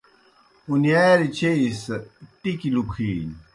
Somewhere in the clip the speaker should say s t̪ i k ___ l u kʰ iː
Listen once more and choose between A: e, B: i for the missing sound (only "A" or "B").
B